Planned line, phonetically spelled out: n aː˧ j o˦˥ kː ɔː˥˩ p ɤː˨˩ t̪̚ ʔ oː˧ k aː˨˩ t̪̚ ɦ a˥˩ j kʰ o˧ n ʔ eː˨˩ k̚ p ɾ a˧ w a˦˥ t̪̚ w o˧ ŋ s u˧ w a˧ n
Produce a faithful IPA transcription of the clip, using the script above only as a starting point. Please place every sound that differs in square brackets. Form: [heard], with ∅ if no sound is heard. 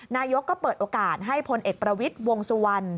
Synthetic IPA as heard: n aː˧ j o˦˥ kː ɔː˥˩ p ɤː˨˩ t̪̚ ʔ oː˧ k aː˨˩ t̪̚ ɦ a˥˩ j [pʰ] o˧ n ʔ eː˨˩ k̚ p ɾ a˧ w [i˦˥] t̪̚ w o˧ ŋ s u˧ w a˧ n